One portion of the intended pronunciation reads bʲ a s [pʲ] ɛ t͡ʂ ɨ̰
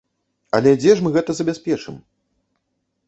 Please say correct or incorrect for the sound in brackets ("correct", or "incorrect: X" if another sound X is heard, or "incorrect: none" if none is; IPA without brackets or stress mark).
correct